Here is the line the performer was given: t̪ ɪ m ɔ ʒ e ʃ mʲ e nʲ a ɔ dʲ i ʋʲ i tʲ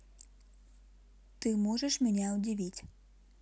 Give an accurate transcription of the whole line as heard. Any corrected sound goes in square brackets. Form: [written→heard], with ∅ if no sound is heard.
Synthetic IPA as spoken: t̪ ɪ m ɔ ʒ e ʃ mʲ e nʲ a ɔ dʲ i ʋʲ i tʲ